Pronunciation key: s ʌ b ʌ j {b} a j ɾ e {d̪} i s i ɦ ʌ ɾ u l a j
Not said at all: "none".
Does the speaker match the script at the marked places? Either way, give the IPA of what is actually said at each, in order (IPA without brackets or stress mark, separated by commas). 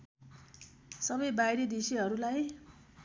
b, d̪